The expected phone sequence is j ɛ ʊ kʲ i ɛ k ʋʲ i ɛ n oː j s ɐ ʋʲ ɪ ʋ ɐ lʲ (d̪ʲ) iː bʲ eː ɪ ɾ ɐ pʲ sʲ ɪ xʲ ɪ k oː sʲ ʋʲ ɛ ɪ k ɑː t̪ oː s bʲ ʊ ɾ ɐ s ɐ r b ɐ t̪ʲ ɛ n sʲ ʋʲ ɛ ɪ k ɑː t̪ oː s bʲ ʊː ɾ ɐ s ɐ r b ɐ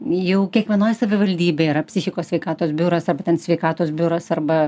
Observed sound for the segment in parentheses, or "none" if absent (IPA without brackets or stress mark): d̪ʲ